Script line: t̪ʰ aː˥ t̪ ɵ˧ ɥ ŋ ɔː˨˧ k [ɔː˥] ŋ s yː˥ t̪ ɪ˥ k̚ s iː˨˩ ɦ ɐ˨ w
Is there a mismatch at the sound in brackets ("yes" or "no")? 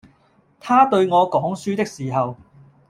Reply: yes